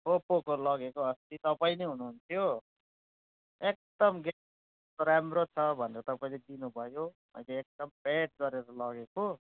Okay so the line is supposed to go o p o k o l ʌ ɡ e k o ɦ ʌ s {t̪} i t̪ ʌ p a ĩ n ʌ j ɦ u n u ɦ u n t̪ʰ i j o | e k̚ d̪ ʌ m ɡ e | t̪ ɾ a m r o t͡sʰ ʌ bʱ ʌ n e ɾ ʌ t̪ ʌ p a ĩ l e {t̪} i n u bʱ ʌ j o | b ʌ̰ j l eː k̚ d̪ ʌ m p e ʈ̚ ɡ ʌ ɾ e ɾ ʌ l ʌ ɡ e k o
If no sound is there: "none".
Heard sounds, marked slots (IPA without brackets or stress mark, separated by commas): t̪, d̪